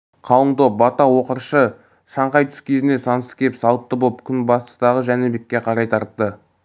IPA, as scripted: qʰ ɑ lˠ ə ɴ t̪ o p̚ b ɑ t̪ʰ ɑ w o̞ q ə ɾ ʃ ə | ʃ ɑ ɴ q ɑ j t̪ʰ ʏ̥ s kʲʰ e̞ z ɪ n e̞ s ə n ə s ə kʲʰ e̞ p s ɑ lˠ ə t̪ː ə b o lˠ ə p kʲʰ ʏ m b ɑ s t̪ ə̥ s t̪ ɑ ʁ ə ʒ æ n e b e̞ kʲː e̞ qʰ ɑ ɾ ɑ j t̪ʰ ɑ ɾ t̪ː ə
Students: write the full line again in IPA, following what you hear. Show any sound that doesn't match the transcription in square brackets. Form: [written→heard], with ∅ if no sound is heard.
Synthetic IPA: qʰ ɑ lˠ ə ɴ t̪ o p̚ b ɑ [t̪ʰ→t̪] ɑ w o̞ q ə ɾ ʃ ə | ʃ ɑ ɴ q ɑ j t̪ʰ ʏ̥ s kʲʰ e̞ z ɪ n e̞ s [ə→ɑ] n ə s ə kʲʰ e̞ p s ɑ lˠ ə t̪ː ə b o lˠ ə p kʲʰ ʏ [m→n] b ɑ s t̪ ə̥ s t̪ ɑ ʁ ə ʒ æ n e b e̞ kʲː e̞ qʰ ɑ ɾ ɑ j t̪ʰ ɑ ɾ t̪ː ə

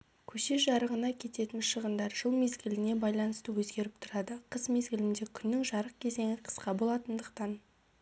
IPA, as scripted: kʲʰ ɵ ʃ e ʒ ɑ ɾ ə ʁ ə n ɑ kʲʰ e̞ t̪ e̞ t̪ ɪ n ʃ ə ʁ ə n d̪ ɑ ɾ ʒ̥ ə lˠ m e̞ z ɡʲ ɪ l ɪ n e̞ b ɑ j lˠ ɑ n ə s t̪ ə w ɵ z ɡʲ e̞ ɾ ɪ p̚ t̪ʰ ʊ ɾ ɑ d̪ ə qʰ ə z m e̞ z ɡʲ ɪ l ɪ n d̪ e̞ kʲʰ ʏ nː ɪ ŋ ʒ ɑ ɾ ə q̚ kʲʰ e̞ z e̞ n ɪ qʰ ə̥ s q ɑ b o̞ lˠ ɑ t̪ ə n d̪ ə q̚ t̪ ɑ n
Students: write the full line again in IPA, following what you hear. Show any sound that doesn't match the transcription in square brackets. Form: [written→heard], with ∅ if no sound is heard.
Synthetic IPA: kʲʰ ɵ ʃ e ʒ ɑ ɾ ə ʁ ə n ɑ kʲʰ e̞ t̪ e̞ t̪ ɪ n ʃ ə ʁ ə n d̪ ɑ ɾ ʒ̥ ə lˠ m e̞ z ɡʲ ɪ l ɪ n e̞ b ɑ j lˠ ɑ n ə s t̪ ə w ɵ z ɡʲ e̞ ɾ ɪ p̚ t̪ʰ ʊ ɾ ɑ d̪ ə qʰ ə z m e̞ z ɡʲ ɪ l ɪ n d̪ e̞ kʲʰ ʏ nː ɪ ŋ ʒ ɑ ɾ ə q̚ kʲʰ e̞ z e̞ [n→ŋ] ɪ qʰ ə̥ s q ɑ b o̞ lˠ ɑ t̪ ə n d̪ ə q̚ t̪ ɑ n

